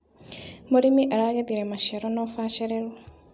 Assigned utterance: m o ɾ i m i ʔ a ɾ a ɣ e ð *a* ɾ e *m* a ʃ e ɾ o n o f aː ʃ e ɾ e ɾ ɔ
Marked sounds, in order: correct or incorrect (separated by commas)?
incorrect, correct